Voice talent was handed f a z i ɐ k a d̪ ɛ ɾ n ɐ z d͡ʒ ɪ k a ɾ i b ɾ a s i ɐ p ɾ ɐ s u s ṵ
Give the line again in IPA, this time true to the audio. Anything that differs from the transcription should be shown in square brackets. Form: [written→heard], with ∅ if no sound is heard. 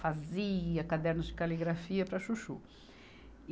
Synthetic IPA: f a z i ɐ k a d̪ ɛ ɾ n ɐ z d͡ʒ ɪ k a [ɾ→l] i [b→ɡ] ɾ a [s→f] i ɐ p ɾ ɐ [s→ʃ] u [s→ʃ] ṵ